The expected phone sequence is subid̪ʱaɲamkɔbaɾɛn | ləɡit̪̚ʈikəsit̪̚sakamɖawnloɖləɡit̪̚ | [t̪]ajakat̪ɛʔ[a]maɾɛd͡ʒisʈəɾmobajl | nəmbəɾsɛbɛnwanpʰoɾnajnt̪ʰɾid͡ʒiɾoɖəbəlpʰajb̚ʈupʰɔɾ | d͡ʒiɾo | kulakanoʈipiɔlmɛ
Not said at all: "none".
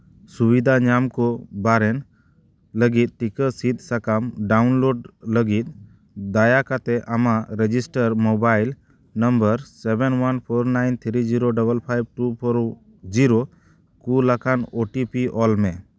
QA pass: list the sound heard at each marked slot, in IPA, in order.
d̪, a

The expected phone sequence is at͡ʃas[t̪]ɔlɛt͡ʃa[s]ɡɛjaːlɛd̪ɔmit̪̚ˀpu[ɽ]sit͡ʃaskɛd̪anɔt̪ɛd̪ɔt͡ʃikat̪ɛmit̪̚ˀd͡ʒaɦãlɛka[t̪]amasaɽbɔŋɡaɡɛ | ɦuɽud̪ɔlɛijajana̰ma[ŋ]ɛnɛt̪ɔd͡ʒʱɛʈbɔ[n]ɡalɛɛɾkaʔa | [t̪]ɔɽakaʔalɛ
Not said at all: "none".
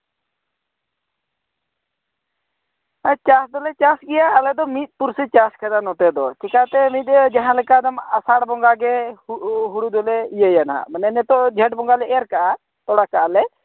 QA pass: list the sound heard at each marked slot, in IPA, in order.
d̪, s, ɾ, d̪, n, ŋ, t̪

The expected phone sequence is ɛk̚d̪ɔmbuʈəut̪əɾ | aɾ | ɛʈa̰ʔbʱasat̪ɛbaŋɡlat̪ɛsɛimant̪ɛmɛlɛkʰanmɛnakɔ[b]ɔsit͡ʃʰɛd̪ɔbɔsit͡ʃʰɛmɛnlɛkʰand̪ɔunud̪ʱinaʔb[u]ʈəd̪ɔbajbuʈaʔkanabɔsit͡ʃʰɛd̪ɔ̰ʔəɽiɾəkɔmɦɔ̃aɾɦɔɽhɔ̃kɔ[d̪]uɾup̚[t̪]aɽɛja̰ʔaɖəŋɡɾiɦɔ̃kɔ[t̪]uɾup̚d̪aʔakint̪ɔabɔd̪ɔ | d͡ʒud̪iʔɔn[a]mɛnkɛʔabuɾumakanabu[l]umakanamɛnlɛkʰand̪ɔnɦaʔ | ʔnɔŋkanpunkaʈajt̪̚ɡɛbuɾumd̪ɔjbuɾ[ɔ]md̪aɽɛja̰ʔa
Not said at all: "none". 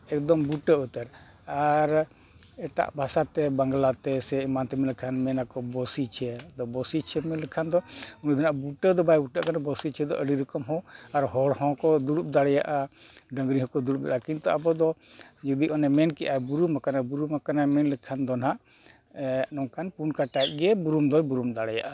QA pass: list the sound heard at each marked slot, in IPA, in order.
b, u, d̪, d̪, d̪, ɛ, ɾ, u

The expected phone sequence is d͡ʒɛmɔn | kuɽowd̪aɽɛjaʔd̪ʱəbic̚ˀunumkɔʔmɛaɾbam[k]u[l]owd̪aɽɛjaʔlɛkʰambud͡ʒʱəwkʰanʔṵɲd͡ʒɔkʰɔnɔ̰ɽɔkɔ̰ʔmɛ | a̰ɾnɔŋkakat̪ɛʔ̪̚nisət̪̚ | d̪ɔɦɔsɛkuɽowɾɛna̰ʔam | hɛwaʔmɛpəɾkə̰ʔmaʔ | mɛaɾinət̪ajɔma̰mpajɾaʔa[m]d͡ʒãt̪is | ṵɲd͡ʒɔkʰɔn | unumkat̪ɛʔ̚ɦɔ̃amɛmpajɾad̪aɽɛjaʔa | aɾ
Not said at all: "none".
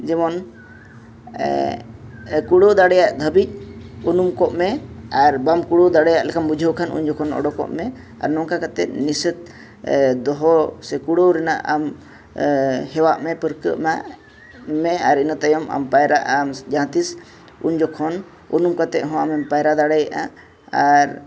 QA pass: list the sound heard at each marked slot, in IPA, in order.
k, ɽ, m

